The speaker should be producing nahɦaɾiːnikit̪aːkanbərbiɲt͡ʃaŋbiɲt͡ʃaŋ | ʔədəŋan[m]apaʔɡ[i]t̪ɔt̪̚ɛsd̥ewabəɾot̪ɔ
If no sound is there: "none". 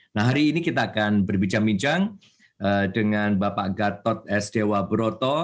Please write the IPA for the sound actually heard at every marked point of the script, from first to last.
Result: b, a

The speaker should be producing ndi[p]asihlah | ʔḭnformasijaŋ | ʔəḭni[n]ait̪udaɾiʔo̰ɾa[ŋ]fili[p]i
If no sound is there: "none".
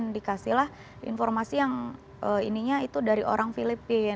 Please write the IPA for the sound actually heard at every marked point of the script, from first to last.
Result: k, ɲ, ŋ, p

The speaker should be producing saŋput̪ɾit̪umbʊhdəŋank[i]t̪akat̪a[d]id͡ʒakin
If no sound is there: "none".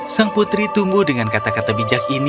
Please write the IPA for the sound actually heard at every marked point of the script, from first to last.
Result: a, b

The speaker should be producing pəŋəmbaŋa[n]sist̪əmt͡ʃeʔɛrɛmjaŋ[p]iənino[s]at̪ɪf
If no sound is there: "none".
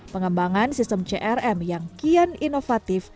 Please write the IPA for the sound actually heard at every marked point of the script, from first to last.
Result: n, k, f

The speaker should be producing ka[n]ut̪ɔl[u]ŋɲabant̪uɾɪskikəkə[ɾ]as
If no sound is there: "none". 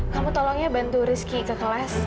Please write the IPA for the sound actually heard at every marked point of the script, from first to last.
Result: m, ɔ, l

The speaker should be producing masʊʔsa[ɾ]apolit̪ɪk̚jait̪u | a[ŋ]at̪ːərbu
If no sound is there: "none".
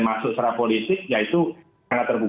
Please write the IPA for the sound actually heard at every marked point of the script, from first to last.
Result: ɾ, ŋ

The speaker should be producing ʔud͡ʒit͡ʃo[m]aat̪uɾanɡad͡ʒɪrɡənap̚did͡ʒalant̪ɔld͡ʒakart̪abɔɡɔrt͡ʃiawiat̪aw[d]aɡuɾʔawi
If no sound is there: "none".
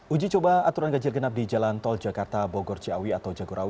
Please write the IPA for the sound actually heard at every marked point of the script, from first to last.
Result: b, d͡ʒ

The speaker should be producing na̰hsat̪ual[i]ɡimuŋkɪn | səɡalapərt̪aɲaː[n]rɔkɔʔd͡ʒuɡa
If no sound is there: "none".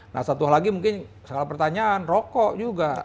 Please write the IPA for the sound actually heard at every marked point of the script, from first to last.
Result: a, n

